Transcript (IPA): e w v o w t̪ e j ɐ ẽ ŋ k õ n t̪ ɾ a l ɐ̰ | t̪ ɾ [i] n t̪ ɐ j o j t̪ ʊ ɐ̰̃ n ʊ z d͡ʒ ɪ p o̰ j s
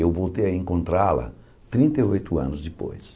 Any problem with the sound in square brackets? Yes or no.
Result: yes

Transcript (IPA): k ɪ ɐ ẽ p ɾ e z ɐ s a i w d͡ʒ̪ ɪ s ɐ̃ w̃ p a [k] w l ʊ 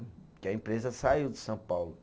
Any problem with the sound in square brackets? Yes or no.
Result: yes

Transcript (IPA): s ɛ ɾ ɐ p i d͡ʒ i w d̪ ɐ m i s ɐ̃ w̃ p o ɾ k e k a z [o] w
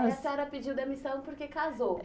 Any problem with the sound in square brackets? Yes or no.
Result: no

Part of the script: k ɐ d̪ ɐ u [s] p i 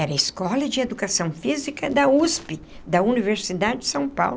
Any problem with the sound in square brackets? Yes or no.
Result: no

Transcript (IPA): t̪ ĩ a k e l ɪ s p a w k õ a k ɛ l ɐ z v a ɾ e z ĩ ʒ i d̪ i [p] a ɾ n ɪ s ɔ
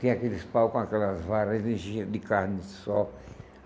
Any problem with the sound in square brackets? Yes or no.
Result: yes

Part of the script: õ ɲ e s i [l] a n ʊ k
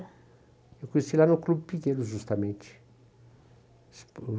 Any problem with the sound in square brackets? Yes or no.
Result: no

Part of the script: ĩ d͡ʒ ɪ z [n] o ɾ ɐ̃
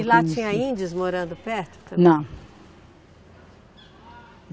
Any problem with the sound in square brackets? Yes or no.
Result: yes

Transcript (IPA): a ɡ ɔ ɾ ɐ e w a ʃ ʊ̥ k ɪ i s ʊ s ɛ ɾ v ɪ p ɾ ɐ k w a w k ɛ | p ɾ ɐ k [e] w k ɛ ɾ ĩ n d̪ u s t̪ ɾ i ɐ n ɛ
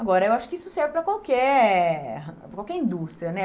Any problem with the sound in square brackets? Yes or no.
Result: yes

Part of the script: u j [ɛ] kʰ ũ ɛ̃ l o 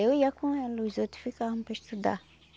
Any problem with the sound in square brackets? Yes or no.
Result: yes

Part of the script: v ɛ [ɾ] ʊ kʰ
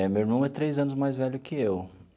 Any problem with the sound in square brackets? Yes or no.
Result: yes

